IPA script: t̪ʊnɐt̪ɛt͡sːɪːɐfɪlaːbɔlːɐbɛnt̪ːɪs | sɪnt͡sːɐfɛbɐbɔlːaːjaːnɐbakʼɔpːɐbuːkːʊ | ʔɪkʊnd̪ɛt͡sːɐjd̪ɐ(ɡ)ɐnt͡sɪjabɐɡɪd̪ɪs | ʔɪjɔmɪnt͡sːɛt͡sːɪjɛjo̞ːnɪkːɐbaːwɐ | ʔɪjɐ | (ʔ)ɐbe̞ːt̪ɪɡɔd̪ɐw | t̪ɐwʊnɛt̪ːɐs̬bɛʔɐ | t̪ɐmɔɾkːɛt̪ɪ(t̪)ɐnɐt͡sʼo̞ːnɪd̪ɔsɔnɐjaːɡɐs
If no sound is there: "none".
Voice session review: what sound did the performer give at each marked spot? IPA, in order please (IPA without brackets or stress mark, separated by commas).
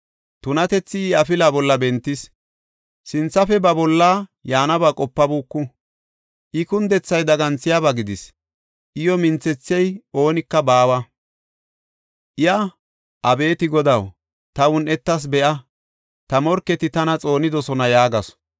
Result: ɡ, ʔ, t̪